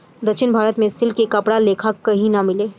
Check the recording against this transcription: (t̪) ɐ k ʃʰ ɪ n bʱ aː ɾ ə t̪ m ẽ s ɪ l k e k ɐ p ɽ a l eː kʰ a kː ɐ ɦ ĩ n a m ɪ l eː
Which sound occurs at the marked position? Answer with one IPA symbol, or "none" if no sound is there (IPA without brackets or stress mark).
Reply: d̪